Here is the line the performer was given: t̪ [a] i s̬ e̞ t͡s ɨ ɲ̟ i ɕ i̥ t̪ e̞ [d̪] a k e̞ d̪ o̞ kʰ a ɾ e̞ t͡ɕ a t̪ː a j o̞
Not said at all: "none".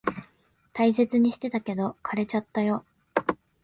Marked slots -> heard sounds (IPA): a, t̪

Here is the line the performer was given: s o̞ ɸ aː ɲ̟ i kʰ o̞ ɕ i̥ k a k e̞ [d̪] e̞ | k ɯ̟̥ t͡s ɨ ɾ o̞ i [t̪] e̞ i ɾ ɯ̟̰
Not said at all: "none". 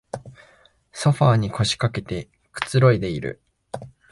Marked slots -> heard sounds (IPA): t̪, d̪

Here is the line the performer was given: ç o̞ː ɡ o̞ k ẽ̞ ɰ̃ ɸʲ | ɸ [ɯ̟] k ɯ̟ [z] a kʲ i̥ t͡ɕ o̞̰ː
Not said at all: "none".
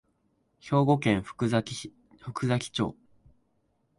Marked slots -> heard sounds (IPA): ɯ̟, z

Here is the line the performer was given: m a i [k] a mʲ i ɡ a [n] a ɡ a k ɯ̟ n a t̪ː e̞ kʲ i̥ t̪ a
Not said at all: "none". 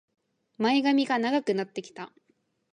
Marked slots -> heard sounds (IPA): ɡ, n

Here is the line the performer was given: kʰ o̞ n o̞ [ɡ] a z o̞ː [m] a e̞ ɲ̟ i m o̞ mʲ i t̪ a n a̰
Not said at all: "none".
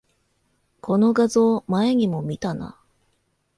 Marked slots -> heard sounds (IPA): ɡ, m

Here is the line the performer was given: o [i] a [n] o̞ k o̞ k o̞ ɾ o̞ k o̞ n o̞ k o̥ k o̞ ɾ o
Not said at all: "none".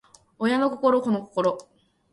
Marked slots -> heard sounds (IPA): j, n

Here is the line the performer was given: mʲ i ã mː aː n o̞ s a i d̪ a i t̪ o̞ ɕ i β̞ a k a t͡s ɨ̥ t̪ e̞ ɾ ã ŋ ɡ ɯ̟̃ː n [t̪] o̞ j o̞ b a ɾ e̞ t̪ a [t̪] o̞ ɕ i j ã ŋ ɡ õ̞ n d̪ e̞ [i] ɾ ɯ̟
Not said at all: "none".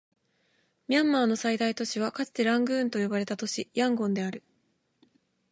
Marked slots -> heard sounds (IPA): t̪, t̪, a

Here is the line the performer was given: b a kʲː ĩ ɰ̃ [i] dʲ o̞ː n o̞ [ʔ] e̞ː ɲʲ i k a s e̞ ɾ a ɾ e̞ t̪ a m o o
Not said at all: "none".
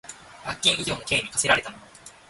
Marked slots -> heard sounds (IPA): i, k

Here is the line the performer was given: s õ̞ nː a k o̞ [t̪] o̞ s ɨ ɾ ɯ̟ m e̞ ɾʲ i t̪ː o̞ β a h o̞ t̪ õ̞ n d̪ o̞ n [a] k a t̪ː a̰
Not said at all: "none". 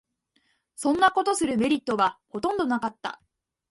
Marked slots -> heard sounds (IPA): t̪, a

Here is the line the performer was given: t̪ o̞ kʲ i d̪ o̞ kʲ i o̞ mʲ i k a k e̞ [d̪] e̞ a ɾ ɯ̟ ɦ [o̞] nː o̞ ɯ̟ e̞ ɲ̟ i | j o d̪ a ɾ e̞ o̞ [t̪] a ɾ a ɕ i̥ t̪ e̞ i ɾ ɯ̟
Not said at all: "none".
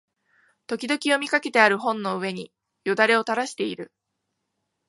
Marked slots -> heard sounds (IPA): t̪, õ̞, t̪

